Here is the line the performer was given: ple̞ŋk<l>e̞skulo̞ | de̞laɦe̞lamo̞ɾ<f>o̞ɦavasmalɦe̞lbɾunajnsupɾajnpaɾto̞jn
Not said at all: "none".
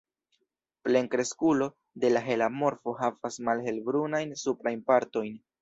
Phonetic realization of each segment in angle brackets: ɾ, f

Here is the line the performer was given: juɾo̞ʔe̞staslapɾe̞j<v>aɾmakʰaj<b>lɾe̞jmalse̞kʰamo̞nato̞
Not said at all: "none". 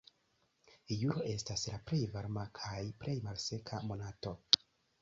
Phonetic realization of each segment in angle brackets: v, p

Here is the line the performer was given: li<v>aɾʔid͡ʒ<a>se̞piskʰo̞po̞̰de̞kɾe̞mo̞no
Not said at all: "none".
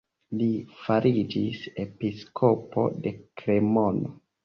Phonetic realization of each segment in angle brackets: f, i

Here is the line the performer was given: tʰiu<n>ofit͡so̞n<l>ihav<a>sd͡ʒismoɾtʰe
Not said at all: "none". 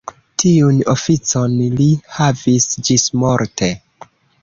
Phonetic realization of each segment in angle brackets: n, l, i

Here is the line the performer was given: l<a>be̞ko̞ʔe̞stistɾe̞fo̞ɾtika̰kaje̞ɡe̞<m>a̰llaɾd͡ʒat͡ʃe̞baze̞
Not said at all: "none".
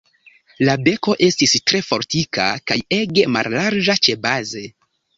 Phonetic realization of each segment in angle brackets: a, m

